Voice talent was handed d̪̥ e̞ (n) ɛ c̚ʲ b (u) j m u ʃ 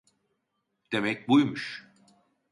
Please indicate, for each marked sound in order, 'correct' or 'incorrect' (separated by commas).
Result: incorrect, correct